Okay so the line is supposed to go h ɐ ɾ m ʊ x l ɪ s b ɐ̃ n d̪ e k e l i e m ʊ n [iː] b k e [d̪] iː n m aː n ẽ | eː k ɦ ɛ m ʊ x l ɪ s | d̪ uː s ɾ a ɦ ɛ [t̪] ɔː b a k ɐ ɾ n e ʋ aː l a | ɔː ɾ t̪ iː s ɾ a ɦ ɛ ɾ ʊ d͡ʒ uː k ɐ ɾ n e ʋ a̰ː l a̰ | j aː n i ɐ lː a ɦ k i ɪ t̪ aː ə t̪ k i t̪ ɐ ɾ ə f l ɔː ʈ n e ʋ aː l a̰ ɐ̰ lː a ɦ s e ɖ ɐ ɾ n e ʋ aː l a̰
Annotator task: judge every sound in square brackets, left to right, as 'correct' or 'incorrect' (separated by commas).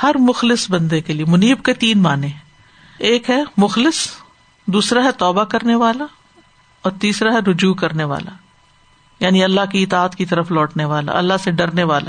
correct, incorrect, correct